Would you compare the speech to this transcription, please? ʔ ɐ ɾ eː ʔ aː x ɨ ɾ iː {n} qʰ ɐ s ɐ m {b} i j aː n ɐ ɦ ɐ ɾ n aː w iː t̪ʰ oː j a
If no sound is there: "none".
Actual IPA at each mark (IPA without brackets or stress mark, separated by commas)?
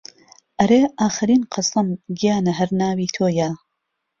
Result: n, ɡ